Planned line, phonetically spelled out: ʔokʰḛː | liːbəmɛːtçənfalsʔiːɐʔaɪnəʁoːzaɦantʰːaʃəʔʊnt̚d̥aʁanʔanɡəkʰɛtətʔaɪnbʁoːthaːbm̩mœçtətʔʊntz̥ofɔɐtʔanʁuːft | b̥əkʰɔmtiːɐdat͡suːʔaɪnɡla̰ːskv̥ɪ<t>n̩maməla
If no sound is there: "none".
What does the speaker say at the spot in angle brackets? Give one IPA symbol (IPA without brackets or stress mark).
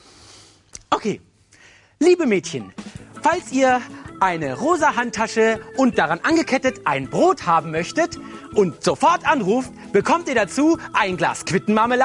t